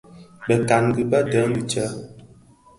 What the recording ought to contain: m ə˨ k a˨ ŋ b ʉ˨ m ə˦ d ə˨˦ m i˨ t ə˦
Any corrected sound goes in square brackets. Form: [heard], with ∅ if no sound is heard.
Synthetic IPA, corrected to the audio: [b] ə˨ k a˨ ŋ [ɡ] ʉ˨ [b] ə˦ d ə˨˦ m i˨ [t͡ʃ] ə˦